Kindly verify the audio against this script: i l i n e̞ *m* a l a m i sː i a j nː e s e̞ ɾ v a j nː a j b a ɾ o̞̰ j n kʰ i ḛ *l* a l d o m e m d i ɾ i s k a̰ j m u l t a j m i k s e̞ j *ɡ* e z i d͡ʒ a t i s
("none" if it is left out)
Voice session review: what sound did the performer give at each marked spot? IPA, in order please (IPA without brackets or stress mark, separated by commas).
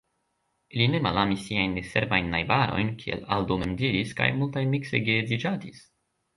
m, l, ɡ